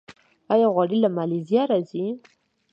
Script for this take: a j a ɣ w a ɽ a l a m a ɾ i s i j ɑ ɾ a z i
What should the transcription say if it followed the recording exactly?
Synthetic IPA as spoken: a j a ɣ w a ɽ i l a m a l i z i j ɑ ɾ a z i